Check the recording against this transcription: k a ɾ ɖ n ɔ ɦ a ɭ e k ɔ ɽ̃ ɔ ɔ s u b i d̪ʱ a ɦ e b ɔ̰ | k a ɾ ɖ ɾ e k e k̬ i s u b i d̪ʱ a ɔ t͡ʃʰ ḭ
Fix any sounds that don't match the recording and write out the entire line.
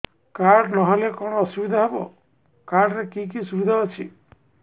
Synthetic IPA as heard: k a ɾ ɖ n ɔ ɦ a l e k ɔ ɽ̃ ɔ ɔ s u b i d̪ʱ a ɦ e b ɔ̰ | k a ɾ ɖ ɾ e k i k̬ i s u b i d̪ʱ a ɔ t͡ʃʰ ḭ